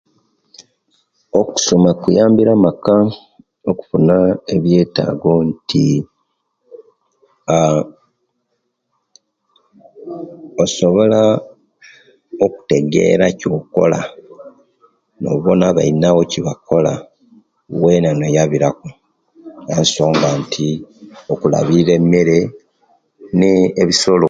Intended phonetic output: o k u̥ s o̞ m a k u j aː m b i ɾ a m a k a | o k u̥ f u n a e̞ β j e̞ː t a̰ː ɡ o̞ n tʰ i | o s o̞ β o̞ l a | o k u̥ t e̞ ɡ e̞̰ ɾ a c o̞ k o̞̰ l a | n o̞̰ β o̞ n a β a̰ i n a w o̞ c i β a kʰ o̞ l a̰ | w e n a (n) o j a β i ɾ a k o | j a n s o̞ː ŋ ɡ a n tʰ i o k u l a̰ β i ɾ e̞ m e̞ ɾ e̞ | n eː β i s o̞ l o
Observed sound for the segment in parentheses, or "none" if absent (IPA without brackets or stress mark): n